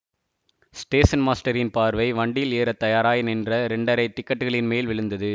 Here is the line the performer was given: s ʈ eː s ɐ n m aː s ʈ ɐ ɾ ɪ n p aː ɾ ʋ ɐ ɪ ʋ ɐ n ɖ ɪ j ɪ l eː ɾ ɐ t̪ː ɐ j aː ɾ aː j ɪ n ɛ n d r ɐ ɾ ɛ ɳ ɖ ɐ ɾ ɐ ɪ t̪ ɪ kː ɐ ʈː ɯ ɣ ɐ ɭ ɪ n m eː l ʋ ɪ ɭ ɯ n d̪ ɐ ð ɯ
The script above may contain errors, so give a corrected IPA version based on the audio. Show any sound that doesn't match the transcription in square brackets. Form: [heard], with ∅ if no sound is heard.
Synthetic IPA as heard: s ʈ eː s ɐ n m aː s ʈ ɐ ɾ ɪ n p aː ɾ ʋ ɐ ɪ ʋ ɐ [ɳ] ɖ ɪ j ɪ l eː ɾ ɐ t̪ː ɐ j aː ɾ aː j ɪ n ɛ n d r ɐ ɾ ɛ ɳ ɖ ɐ ɾ ɐ ɪ t̪ ɪ kː ɐ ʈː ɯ ɣ ɐ ɭ ɪ n m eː l ʋ ɪ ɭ ɯ n d̪ ɐ ð ɯ